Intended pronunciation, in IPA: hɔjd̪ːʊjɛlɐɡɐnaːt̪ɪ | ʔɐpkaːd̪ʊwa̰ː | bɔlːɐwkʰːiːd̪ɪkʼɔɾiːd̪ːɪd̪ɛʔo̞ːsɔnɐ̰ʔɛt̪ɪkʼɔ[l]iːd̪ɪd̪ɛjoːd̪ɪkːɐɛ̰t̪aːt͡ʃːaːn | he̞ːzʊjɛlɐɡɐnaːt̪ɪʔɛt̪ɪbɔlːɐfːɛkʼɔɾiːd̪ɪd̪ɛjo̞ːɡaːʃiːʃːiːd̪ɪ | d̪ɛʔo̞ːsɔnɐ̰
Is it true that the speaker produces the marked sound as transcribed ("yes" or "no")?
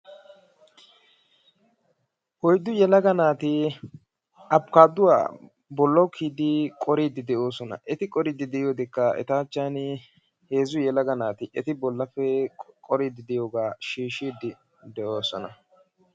no